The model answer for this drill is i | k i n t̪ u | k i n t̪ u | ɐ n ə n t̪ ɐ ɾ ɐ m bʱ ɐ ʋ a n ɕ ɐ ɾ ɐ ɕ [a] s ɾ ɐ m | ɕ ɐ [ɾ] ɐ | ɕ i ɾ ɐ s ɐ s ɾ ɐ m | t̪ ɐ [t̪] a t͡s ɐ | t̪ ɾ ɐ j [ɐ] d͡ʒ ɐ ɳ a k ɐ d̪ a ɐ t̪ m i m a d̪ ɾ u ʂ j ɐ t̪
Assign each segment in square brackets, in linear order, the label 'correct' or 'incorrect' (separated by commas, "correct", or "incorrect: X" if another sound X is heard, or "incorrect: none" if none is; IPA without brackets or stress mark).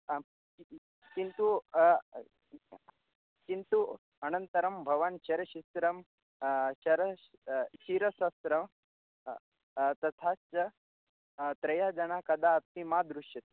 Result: incorrect: i, correct, incorrect: t̪ʰ, incorrect: a